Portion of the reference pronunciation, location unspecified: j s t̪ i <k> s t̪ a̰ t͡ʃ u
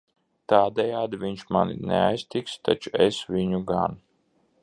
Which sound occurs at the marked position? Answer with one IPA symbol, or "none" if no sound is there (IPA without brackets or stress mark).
k